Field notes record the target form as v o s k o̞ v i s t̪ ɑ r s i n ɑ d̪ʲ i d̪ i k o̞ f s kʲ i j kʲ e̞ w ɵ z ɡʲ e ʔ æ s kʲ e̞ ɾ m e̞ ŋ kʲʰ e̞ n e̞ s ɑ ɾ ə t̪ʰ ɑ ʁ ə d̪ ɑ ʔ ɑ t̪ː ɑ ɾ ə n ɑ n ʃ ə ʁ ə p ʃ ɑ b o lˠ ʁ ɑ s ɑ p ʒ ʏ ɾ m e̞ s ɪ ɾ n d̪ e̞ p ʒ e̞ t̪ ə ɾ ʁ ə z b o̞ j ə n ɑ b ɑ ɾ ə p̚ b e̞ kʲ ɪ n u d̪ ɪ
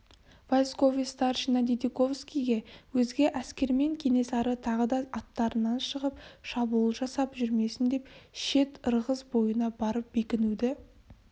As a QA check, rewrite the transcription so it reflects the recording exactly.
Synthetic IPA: v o s k o̞ v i s t̪ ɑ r ʃ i n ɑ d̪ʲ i d̪ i k o̞ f s kʲ i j ɡʲ e̞ w ɵ z ɡʲ e ʔ æ s kʲ e̞ ɾ m e̞ ŋ kʲʰ e̞ n e̞ s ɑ ɾ ə t̪ʰ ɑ ʁ ə d̪ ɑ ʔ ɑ t̪ː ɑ ɾ ə n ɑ n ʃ ə ʁ ə p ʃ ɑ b u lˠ ʒ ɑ s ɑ p ʒ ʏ ɾ m e̞ s ɪ n d̪ e̞ p ʃ e̞ t̪ ə ɾ ʁ ə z b o̞ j ə n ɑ b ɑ ɾ ə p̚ b e̞ kʲ ɪ n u d̪ ɪ